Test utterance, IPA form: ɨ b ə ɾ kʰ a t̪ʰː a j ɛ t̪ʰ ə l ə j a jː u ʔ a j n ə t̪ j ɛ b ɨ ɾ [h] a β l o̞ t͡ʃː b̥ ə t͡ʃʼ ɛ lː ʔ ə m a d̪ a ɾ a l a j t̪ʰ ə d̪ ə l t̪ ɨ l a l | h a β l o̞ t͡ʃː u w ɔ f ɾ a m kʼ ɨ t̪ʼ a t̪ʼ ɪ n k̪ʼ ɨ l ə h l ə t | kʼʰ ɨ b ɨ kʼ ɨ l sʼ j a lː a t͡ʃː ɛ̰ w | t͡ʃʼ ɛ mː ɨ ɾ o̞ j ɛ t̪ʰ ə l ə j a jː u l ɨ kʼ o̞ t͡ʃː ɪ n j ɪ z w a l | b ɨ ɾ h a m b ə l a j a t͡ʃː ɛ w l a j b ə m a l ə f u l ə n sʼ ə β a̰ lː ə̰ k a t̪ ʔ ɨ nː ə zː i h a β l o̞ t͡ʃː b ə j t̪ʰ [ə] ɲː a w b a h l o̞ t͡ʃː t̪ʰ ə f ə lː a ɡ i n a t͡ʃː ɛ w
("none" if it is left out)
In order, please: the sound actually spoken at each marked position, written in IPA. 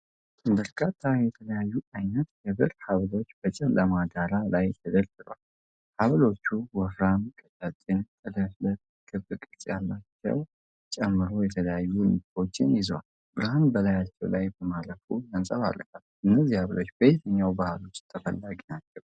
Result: h, ə

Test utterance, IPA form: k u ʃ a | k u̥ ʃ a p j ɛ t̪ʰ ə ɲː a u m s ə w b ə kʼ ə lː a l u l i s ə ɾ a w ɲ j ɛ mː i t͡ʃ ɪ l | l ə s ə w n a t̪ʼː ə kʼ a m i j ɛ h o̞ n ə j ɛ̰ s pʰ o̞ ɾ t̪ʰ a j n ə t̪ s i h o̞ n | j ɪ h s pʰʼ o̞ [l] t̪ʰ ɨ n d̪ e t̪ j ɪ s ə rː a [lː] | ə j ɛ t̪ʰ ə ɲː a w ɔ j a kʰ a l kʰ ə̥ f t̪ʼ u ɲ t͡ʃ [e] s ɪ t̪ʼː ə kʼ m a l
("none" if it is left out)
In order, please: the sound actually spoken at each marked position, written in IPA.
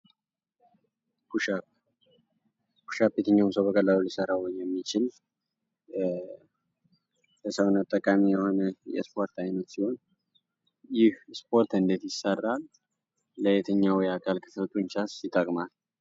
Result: ɾ, lː, a

